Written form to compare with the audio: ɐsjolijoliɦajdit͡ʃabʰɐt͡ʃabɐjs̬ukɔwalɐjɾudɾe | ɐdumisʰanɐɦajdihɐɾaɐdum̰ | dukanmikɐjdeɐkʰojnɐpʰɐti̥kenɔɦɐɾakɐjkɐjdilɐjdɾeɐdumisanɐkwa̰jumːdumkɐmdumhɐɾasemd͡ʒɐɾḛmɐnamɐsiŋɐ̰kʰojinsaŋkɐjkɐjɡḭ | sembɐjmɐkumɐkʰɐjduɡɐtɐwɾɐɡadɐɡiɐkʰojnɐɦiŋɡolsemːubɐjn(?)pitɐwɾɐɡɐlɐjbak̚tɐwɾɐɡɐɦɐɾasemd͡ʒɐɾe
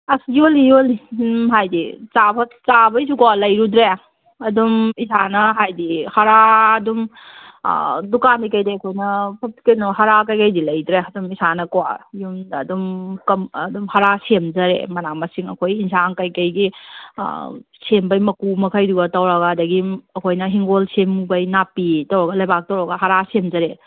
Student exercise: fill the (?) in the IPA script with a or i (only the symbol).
a